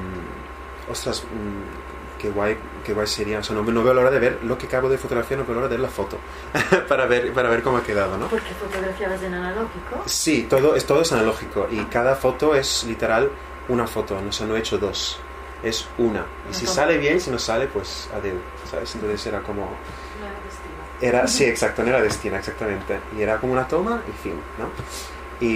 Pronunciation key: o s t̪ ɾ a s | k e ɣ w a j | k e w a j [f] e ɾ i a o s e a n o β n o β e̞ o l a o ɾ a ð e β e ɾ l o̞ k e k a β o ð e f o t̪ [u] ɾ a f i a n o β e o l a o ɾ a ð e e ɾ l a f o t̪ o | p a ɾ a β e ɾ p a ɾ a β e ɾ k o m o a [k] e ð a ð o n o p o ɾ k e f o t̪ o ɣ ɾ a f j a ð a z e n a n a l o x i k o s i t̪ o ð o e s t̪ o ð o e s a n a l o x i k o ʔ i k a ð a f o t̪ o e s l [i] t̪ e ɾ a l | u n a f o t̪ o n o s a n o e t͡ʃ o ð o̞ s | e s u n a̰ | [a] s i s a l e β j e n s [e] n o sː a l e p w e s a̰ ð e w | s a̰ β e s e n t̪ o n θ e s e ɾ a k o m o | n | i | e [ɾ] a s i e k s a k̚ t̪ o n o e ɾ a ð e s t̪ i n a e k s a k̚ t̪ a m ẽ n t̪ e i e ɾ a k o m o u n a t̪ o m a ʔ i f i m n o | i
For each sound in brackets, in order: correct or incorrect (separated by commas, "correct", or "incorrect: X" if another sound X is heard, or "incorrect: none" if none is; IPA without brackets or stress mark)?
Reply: incorrect: s, incorrect: o, correct, correct, incorrect: i, incorrect: i, correct